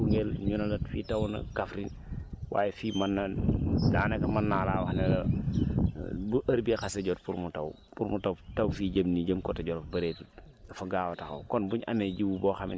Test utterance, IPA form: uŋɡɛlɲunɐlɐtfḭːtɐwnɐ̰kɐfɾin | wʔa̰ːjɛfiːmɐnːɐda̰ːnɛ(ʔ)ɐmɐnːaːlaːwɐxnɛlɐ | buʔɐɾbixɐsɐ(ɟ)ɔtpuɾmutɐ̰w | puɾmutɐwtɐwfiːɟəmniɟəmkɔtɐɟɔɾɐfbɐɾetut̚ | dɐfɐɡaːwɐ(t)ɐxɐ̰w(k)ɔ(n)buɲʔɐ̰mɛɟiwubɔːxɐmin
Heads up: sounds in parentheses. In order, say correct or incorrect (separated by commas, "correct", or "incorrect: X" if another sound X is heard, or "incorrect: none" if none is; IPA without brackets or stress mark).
incorrect: k, correct, correct, correct, correct